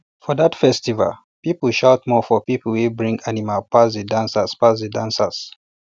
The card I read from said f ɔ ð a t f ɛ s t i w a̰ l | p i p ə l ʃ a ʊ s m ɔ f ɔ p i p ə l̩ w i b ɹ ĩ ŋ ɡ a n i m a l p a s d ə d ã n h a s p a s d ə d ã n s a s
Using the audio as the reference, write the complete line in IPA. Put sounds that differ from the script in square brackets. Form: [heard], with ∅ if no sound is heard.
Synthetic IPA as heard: f ɔ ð a t f ɛ s t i [v] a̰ l | p i p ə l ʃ a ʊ [t] m ɔ f ɔ p i p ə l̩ w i b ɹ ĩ ŋ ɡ a n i m a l p a s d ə d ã n [s] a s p a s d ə d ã n s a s